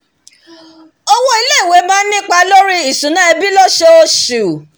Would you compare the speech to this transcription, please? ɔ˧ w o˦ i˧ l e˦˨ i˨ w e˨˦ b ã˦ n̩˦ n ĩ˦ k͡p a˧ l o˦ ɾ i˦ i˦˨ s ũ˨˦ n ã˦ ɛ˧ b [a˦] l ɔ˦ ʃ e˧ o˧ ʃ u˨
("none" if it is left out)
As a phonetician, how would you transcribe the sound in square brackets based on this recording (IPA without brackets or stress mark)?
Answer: i˦